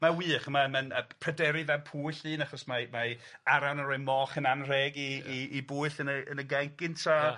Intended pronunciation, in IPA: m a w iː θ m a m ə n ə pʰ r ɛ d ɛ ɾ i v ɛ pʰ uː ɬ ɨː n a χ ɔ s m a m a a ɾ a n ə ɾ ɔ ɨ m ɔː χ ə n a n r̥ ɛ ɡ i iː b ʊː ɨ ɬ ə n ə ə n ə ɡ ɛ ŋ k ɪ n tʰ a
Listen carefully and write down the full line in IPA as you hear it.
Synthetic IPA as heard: m a w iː χ m a m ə n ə pʰ r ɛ d ɛ ɾ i v ɛ pʰ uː ɬ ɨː n a χ ɔ s m a m a a ɾ a n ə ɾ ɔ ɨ m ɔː χ ə n a n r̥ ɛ ɡ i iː b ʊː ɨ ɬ ə n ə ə n ə ɡ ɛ ŋ k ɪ n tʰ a